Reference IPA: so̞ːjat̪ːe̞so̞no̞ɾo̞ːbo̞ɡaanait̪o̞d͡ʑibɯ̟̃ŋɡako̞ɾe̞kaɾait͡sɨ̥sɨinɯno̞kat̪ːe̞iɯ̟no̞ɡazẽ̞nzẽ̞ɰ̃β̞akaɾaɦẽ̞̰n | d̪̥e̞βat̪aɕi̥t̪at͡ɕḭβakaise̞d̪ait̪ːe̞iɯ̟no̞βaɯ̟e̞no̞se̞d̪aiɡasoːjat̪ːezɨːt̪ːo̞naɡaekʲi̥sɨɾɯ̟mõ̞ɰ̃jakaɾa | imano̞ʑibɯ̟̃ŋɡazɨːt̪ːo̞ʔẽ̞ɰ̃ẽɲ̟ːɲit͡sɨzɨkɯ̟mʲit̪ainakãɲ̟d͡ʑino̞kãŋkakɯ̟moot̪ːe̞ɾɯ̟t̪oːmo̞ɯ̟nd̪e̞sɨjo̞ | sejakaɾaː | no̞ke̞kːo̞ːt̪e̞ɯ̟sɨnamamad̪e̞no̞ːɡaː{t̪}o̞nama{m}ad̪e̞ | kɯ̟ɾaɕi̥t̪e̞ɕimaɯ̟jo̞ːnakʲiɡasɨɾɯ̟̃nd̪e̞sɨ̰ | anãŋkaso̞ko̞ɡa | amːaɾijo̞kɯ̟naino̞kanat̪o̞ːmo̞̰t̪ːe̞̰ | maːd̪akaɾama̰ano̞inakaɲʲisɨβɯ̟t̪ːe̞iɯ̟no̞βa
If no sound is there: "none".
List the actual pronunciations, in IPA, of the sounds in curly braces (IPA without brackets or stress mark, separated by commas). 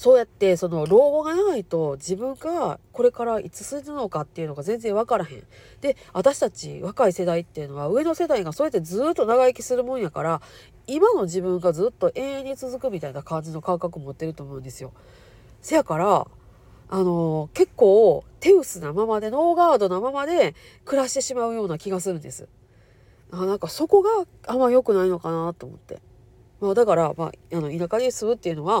d̪, m